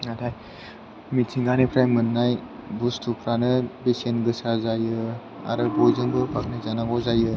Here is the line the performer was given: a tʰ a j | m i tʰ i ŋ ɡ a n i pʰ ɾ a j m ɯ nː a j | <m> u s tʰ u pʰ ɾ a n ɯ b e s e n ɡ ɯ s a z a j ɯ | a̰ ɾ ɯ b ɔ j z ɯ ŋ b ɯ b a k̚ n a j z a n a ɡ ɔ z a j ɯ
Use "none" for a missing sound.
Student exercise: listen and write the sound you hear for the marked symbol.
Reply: b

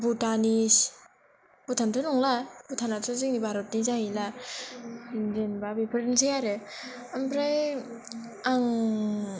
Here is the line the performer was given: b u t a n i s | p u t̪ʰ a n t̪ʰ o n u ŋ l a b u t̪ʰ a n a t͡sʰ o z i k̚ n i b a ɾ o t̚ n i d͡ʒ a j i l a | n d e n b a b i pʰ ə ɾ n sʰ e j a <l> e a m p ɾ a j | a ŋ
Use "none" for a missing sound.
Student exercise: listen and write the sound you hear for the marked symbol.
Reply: ɾ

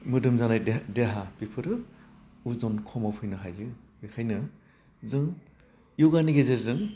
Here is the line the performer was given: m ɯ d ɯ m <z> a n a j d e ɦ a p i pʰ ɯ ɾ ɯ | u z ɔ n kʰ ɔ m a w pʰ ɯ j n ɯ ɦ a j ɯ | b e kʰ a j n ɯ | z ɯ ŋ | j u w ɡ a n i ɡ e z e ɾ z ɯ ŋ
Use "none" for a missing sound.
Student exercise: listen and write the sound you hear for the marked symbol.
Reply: z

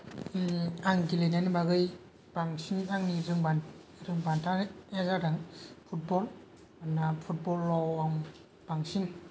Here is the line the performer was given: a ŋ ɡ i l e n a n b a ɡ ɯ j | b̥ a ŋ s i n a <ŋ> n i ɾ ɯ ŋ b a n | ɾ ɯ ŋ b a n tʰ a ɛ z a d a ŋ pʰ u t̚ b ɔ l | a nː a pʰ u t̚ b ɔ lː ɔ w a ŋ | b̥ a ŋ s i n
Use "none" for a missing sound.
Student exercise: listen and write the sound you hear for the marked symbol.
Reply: ŋ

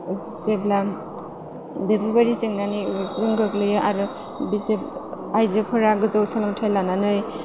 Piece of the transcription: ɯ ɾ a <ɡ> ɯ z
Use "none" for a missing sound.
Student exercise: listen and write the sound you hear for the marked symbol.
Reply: ɡ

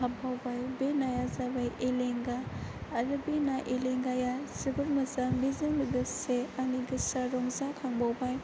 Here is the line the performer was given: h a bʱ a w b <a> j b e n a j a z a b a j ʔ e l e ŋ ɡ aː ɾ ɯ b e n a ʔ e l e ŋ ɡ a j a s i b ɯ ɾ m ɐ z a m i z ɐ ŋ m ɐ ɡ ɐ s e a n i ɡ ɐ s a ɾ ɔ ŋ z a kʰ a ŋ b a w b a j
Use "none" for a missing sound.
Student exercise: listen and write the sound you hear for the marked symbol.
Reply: a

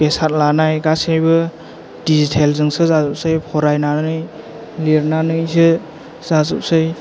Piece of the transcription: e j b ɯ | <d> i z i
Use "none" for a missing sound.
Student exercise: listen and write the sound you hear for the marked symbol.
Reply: d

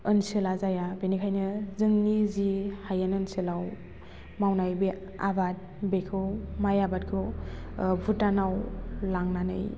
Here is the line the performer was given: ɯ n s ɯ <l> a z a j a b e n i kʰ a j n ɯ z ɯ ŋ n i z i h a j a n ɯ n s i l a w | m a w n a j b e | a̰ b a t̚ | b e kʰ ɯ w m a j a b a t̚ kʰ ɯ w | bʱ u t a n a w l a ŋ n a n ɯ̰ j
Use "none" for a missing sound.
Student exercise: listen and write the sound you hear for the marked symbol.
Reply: l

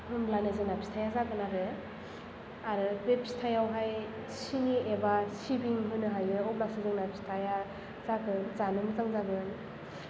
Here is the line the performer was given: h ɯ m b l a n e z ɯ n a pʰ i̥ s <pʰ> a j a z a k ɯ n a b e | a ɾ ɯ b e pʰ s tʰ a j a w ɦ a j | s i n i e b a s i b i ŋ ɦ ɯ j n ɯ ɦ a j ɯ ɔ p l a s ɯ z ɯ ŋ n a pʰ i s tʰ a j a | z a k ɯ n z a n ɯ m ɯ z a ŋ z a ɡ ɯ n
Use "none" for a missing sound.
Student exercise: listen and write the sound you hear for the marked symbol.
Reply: tʰ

